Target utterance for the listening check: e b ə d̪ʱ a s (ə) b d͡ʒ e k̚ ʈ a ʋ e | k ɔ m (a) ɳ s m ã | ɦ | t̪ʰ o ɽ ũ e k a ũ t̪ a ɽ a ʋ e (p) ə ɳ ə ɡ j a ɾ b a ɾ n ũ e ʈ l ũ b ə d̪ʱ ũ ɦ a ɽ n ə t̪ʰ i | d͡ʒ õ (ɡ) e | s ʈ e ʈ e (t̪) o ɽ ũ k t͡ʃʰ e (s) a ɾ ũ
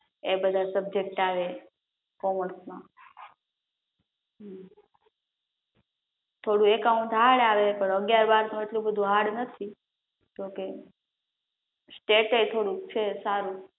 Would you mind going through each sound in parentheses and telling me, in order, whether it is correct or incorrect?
correct, incorrect: ə, correct, incorrect: k, incorrect: t̪ʰ, correct

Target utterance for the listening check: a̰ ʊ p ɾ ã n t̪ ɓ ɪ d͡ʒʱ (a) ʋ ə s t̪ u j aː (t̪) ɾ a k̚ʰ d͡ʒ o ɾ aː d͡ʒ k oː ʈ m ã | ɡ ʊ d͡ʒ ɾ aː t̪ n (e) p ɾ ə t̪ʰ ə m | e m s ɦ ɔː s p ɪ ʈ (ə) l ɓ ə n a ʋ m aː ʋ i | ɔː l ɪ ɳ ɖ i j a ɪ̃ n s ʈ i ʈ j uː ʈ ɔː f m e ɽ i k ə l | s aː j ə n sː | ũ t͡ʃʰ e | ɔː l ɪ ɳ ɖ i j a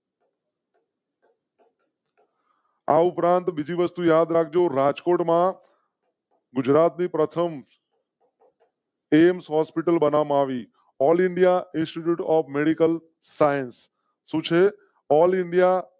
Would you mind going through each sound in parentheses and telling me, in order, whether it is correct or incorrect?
incorrect: i, incorrect: d̪, incorrect: i, correct

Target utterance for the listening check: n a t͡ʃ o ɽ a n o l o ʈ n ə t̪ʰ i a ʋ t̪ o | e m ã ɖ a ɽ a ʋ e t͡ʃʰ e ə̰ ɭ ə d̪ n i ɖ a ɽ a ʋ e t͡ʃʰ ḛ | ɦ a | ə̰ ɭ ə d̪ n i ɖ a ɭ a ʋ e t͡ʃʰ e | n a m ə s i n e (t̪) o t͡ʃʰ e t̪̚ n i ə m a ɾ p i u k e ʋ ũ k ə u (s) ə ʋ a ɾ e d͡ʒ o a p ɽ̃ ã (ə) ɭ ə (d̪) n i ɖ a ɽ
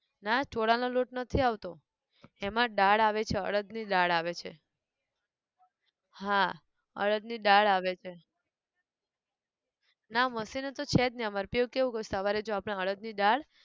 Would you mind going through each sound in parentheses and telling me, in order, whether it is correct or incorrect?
correct, correct, correct, correct

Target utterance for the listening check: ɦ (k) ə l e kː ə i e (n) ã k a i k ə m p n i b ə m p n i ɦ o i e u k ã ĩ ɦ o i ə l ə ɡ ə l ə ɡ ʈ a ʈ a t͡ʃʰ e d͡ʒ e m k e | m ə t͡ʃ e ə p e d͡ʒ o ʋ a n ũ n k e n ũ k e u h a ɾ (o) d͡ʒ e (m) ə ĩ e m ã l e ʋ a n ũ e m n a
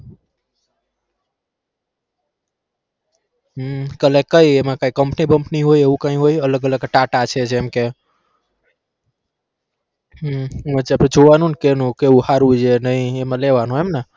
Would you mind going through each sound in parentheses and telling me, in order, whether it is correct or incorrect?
correct, incorrect: m, incorrect: u, incorrect: n

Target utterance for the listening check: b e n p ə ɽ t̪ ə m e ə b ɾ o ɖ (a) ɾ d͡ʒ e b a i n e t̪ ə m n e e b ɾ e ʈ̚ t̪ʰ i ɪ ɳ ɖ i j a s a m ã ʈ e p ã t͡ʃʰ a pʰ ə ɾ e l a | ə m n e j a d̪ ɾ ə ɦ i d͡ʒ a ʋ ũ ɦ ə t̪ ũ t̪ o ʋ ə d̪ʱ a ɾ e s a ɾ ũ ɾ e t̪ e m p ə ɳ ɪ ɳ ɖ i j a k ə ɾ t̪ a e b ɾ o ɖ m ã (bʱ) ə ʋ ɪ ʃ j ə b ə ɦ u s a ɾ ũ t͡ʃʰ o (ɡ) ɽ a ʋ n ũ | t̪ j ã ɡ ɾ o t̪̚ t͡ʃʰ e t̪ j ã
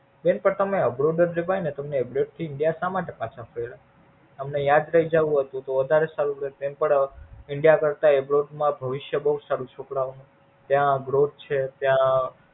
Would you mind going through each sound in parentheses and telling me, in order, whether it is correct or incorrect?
incorrect: ə, correct, incorrect: k

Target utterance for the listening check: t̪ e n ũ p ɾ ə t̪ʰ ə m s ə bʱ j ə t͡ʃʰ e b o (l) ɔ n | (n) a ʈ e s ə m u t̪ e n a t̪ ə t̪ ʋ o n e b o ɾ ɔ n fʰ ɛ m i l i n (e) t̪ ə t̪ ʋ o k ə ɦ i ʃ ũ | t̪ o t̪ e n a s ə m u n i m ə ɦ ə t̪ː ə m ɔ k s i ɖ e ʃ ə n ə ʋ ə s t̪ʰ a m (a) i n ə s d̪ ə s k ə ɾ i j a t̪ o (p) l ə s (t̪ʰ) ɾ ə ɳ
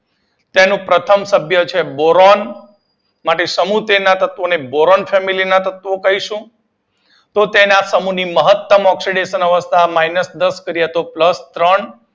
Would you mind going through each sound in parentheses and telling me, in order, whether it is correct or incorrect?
incorrect: ɾ, incorrect: m, incorrect: a, correct, correct, incorrect: t̪

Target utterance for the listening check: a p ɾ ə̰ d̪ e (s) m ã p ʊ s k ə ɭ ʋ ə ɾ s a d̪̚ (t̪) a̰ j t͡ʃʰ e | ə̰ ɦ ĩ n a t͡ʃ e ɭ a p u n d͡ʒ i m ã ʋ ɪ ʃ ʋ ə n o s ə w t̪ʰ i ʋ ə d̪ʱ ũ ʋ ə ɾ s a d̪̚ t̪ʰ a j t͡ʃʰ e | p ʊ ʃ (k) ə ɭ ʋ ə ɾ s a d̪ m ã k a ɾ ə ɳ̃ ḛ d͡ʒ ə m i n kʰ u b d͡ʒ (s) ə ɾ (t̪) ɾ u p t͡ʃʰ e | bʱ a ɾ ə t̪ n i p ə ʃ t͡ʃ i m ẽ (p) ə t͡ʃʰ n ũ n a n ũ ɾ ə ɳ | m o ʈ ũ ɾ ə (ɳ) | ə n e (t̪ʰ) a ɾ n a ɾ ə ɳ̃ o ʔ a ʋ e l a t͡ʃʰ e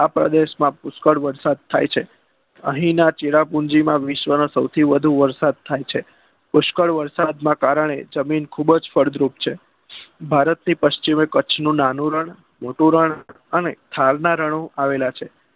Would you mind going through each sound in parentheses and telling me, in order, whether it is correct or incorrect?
incorrect: ʃ, incorrect: t̪ʰ, correct, incorrect: f, incorrect: d̪, incorrect: k, correct, correct

